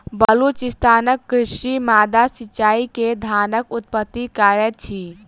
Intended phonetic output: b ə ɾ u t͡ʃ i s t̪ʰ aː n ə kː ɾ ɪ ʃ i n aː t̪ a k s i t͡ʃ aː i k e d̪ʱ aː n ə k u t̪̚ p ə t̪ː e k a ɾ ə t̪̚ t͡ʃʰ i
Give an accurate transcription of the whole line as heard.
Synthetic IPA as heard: b ə l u t͡ʃ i s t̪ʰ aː n ə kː ɾ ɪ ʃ i m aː d̪ a s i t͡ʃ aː i k e d̪ʱ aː n ə k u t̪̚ p ə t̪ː i k a ɾ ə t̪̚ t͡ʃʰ i